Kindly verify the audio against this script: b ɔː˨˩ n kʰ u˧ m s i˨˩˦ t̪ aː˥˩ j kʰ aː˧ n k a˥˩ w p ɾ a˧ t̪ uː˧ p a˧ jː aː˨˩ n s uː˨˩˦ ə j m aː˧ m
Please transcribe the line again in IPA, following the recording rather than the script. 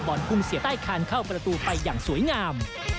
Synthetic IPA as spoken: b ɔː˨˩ n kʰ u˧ m s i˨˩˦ t̪ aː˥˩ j kʰ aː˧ n kʰ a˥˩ w p ɾ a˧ t̪ uː˧ p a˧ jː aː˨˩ ŋ s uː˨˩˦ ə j ŋ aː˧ m